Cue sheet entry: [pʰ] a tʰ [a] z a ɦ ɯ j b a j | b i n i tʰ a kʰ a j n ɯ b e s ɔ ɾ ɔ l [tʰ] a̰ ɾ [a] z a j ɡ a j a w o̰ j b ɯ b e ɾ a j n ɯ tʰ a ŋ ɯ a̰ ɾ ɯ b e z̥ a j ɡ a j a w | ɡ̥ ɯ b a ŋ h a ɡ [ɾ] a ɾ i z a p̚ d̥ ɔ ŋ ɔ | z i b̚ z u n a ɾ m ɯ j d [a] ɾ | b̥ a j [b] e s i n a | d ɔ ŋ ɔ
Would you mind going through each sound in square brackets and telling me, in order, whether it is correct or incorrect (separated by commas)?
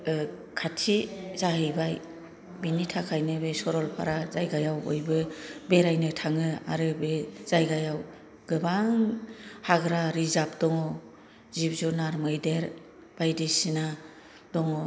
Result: incorrect, incorrect, incorrect, correct, correct, incorrect, incorrect